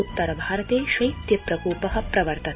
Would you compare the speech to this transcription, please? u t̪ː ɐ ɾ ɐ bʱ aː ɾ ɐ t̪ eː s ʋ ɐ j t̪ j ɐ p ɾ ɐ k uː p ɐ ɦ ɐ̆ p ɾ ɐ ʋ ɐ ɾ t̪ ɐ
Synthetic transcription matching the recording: u t̪ː ɐ ɾ ɐ bʱ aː ɾ ɐ t̪ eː ʃ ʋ ɐ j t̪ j ɐ p ɾ ɐ k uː p ɐ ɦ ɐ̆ p ɾ ɐ ʋ ɐ ɾ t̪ ɐ